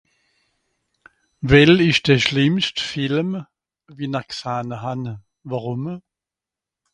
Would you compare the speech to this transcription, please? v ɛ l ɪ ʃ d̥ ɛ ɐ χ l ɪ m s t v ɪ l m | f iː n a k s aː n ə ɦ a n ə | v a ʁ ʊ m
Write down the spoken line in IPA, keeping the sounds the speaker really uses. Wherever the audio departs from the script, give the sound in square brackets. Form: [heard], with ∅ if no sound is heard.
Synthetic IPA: v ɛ l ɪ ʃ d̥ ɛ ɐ [ʃ] l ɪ m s t [f] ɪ l m | [v] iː n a k s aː n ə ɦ a n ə | v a ʁ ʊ m